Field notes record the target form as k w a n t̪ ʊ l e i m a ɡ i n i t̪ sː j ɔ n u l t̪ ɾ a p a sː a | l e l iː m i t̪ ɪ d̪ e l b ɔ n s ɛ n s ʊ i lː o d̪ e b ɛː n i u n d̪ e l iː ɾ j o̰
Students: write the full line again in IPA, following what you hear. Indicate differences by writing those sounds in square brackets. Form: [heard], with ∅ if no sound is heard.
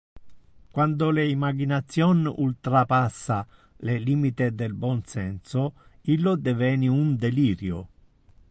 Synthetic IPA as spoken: k w a n [d̪] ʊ l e i m a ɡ i n [a] t̪ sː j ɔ n u l t̪ ɾ a p a sː a | l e l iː m i t̪ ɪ d̪ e l b ɔ n s ɛ n s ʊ i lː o d̪ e [v] ɛː n i u n d̪ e l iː ɾ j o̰